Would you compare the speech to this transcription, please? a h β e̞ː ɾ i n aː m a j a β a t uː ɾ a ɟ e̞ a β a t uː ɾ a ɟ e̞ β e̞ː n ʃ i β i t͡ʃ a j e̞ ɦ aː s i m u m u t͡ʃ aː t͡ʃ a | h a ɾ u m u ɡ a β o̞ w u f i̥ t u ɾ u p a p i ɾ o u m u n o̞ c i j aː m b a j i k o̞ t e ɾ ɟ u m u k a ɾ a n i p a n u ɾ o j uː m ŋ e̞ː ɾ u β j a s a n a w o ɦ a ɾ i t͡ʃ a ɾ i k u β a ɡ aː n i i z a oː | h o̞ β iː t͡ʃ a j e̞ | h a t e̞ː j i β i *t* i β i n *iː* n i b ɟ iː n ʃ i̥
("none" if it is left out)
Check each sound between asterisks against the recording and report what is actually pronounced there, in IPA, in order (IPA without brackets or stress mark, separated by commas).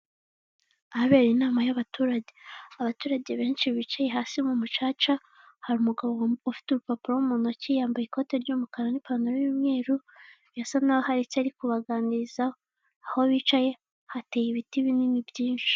t, i